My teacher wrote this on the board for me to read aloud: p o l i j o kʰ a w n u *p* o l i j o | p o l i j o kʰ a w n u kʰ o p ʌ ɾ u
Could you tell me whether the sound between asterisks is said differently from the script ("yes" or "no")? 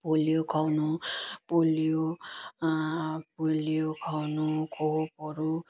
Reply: no